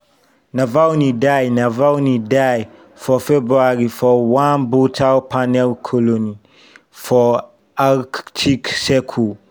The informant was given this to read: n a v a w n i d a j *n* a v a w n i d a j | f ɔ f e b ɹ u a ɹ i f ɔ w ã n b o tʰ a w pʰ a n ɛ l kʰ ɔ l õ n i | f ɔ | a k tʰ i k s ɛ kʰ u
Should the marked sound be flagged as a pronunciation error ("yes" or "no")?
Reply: no